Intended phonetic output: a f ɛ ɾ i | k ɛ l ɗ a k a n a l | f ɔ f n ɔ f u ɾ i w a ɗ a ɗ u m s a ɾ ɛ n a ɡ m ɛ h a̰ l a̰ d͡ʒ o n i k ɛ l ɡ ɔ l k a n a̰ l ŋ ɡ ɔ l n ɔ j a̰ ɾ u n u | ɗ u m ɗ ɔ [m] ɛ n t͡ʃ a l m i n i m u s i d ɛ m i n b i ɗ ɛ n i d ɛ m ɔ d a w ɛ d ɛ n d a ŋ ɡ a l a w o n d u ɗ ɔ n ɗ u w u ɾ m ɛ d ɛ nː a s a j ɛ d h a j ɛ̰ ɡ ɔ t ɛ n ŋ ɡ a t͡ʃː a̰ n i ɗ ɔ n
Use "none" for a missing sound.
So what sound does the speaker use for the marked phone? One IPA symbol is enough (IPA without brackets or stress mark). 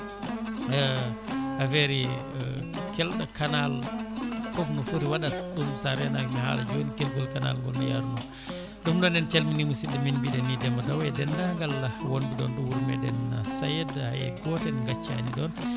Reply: n